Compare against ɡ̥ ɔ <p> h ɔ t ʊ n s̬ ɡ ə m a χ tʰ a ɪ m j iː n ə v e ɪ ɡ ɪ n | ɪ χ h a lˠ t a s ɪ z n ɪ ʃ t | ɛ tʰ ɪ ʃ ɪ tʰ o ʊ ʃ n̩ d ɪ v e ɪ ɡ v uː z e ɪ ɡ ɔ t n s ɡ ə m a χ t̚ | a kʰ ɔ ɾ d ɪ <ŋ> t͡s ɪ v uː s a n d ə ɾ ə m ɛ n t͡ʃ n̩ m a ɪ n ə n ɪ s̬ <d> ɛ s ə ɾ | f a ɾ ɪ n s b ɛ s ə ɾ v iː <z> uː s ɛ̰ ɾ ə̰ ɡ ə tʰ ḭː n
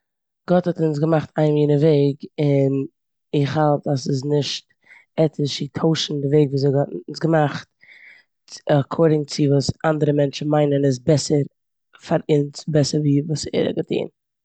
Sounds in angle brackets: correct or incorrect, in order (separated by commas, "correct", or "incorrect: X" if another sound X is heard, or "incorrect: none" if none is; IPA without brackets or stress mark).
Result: incorrect: t, correct, incorrect: b, incorrect: v